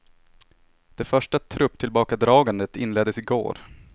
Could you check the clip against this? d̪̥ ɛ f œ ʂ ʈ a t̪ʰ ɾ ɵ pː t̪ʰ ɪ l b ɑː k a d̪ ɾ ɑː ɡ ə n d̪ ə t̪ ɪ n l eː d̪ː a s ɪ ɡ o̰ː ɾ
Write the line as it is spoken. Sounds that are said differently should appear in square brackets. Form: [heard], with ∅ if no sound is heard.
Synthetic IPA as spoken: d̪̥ ɛ f œ ʂ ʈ a t̪ʰ ɾ ɵ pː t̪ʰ ɪ l b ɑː k a d̪ ɾ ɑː ɡ [a] n d̪ ə t̪ ɪ n l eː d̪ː [ə] s ɪ ɡ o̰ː ɾ

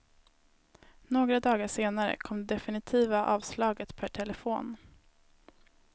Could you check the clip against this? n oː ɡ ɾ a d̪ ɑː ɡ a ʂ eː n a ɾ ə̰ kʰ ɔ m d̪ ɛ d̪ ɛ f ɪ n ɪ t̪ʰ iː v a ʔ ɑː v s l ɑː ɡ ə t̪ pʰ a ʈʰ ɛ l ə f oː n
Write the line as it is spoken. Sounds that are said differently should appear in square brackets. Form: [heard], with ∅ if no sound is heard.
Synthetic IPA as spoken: n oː ɡ ɾ a d̪ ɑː ɡ a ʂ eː n a ɾ ə̰ kʰ ɔ m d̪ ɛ d̪ ɛ f ɪ n ɪ t̪ʰ iː v a ʔ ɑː v s l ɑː ɡ ə t̪ pʰ [æ] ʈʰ ɛ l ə f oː n

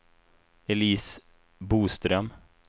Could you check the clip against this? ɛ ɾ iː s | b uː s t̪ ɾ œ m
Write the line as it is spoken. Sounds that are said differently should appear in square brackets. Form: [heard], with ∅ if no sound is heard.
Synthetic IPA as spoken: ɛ [l] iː s | b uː s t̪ ɾ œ m

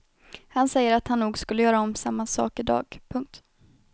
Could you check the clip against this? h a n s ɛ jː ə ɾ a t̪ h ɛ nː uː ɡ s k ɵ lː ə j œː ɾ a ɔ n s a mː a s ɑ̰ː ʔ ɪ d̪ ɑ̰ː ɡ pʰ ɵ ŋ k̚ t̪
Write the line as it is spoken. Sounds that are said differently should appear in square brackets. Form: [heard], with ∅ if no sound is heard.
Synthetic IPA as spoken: h a n s ɛ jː ə ɾ a t̪ h [a] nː uː ɡ s k ɵ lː ə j œː ɾ a ɔ [m] s a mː a s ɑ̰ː [k] ɪ d̪ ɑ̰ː ɡ pʰ ɵ ŋ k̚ t̪

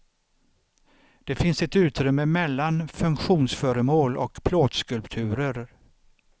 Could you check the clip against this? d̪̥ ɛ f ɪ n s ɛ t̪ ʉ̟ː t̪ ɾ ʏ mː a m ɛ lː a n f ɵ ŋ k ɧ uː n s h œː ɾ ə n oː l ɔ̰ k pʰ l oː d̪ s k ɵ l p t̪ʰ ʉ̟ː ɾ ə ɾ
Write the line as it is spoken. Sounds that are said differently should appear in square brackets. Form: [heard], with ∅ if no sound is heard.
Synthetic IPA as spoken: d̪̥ ɛ f ɪ n s ɛ t̪ ʉ̟ː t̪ ɾ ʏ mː [ə] m ɛ lː a n f ɵ ŋ k ɧ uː n s [f] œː ɾ ə [m] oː l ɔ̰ k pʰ l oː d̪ s k ɵ l p t̪ʰ ʉ̟ː ɾ ə ɾ

